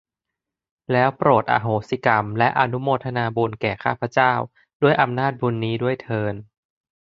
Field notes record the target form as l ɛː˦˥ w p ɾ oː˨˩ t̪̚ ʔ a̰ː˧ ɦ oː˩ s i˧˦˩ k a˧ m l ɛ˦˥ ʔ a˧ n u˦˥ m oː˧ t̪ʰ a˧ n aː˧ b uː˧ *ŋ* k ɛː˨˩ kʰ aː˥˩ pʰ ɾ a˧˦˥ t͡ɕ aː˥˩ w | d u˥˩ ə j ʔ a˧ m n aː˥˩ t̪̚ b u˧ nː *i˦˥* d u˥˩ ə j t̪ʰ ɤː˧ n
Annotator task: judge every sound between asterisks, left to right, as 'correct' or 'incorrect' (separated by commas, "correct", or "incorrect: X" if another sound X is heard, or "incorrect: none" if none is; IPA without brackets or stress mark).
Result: incorrect: n, incorrect: iː˦˥